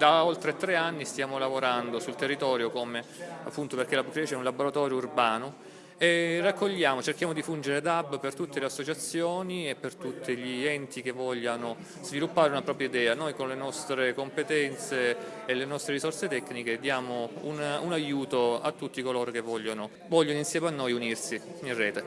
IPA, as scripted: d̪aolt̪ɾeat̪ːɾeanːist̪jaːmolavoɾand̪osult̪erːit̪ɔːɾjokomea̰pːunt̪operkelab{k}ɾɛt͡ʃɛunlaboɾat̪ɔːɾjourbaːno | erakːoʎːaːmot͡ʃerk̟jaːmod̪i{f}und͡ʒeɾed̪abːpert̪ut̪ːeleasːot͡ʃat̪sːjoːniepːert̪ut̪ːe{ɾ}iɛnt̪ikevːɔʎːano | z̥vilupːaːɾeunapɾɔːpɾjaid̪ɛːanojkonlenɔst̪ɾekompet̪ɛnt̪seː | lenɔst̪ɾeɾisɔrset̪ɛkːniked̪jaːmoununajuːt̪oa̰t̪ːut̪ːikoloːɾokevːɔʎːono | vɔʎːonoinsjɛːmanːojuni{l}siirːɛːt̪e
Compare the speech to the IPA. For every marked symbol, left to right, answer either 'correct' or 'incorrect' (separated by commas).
correct, correct, incorrect, incorrect